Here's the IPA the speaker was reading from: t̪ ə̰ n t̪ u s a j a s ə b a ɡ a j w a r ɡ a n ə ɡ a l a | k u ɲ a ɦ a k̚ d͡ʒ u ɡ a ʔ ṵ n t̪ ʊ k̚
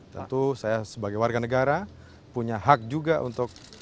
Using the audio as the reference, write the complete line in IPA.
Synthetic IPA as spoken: t̪ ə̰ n t̪ u s a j a s ə b a ɡ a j w a r ɡ a n ə ɡ a ɾ a | p u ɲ a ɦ a k̚ d͡ʒ u ɡ a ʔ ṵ n t̪ ʊ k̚